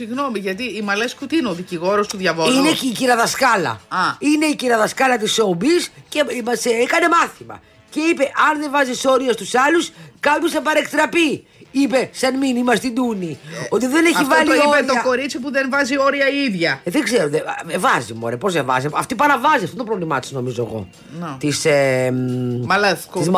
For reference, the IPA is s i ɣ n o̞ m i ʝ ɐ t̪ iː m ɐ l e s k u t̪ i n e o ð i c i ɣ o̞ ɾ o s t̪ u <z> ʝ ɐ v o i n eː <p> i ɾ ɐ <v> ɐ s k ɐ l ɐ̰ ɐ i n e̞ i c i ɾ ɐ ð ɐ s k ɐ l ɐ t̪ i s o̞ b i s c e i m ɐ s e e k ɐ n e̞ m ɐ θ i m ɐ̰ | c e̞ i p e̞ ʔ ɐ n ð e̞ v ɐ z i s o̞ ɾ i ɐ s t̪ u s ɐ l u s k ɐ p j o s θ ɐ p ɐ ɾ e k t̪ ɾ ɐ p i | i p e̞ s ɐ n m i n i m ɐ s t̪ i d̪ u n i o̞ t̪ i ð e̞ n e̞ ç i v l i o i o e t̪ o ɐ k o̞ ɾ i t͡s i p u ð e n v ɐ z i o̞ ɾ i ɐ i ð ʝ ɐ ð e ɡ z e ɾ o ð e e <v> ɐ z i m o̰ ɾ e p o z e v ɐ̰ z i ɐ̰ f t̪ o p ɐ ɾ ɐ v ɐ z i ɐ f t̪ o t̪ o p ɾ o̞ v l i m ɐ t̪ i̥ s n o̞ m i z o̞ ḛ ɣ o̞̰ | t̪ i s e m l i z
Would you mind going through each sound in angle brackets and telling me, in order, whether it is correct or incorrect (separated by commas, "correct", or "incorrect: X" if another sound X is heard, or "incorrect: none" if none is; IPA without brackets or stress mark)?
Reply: incorrect: ð, incorrect: c, incorrect: ð, correct